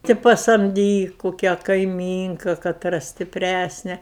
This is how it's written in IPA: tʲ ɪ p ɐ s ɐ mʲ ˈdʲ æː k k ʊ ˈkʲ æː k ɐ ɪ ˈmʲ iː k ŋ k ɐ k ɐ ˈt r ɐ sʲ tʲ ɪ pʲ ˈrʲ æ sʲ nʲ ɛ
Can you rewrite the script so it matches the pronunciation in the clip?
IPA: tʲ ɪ p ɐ s ɐ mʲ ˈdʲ iː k k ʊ ˈkʲ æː k ɐ ɪ ˈmʲ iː ŋ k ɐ k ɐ ˈt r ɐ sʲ tʲ ɪ pʲ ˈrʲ æ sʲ nʲ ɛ